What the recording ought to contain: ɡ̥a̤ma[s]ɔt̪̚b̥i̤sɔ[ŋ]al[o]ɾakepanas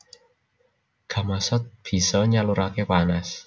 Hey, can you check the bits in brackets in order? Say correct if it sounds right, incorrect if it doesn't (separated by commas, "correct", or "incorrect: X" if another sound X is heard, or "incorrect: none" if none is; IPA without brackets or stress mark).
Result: correct, incorrect: ɲ, incorrect: u